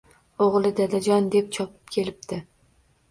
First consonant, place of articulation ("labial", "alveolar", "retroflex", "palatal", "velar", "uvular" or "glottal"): uvular